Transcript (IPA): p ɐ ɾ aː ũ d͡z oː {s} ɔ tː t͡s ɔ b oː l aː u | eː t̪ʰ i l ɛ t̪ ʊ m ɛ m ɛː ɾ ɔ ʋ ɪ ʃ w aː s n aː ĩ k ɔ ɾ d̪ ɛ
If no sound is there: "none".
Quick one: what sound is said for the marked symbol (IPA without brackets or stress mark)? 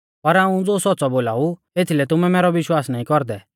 s